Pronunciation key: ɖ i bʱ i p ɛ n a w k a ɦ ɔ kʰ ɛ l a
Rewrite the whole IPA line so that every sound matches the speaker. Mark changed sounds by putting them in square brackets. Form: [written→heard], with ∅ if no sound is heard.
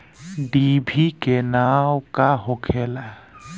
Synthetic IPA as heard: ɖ i bʱ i [p→k] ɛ n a w k a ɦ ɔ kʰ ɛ l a